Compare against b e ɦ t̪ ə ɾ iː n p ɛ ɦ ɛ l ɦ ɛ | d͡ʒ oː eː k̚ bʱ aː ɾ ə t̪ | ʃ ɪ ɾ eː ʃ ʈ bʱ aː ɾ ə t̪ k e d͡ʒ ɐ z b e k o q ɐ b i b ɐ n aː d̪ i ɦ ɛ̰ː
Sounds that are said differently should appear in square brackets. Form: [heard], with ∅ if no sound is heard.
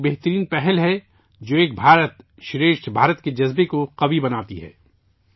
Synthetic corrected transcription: b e ɦ t̪ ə ɾ iː n p ɛ ɦ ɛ l ɦ ɛ | d͡ʒ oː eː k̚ bʱ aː ɾ ə t̪ | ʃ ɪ ɾ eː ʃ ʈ bʱ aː ɾ ə t̪ k e d͡ʒ ɐ z b e k o q ɐ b i b ɐ n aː [t̪] i ɦ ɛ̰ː